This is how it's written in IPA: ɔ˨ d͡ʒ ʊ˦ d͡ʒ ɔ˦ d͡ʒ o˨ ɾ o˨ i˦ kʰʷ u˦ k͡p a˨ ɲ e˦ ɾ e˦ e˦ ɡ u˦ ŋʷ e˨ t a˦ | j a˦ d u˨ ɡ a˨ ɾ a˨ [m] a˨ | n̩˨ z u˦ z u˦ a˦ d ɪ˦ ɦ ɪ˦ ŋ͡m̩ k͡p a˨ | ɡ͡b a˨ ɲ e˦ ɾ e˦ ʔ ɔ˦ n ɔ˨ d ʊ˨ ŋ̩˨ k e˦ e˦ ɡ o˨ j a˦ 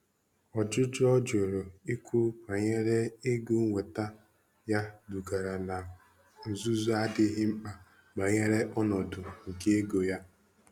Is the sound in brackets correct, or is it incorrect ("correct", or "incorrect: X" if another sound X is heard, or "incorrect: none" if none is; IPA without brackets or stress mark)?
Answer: incorrect: n